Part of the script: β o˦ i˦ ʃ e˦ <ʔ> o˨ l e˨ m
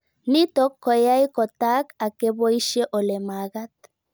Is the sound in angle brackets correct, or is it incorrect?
correct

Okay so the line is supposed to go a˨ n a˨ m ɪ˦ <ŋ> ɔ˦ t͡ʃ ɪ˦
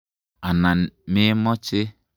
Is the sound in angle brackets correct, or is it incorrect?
incorrect: m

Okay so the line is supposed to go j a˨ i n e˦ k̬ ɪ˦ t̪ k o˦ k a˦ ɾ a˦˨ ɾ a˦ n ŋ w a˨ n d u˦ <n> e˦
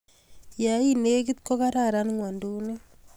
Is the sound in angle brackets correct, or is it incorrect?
correct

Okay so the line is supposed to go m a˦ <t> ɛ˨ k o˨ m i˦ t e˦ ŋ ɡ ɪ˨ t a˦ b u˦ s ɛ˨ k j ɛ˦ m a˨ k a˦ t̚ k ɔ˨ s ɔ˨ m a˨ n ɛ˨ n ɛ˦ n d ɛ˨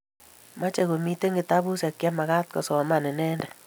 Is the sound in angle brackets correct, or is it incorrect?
incorrect: t͡ʃ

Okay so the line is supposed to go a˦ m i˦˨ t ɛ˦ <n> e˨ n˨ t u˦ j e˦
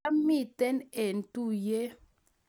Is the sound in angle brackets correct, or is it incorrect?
correct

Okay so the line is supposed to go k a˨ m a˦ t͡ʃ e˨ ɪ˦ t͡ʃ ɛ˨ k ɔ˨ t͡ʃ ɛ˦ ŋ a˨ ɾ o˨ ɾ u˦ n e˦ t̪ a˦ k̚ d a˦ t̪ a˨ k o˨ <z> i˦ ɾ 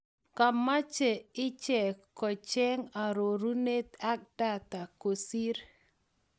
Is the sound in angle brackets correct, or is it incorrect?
incorrect: s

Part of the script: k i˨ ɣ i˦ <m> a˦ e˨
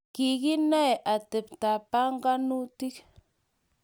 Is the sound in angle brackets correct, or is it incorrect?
incorrect: n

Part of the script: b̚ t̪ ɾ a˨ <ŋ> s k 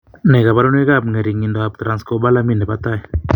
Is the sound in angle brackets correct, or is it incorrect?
incorrect: n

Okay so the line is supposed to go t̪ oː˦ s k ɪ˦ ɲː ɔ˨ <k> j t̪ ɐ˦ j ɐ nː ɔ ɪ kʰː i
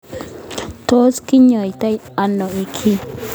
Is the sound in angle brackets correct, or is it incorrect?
incorrect: none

